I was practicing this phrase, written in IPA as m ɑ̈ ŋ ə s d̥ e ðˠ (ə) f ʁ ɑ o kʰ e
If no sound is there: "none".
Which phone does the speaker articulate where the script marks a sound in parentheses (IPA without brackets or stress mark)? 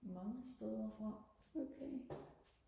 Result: ɐ